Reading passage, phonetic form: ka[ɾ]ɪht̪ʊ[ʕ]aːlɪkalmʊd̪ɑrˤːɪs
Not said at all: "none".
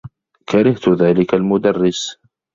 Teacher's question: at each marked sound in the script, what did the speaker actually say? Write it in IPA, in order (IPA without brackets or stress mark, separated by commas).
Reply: ɾ, ð